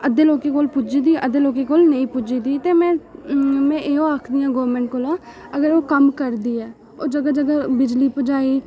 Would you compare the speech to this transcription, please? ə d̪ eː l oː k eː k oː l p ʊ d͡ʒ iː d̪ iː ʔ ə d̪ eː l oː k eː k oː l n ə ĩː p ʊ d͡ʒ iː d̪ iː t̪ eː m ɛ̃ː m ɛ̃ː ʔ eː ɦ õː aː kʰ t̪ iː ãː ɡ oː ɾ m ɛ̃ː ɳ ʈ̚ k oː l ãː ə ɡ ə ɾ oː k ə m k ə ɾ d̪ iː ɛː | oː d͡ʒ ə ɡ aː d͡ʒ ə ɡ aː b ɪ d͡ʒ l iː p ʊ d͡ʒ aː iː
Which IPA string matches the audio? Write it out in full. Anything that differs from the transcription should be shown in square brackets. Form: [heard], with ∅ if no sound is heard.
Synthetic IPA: ə d̪ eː l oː k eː k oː l p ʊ d͡ʒ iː d̪ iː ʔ ə d̪ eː l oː k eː k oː l n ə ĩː p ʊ d͡ʒ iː d̪ iː t̪ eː m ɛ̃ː m ɛ̃ː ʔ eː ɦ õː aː kʰ [d̪] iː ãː ɡ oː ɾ m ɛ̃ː ɳ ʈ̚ k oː l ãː ə ɡ ə ɾ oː k ə m k ə ɾ d̪ iː ɛː | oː d͡ʒ ə ɡ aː d͡ʒ ə ɡ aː b ɪ d͡ʒ l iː p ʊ d͡ʒ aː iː